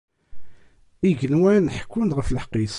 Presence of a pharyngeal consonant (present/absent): present